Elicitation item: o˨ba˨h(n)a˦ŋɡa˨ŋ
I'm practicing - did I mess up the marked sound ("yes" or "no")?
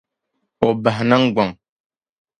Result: no